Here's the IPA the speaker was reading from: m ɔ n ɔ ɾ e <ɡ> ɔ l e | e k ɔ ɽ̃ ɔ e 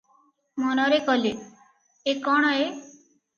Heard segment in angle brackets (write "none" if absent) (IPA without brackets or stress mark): k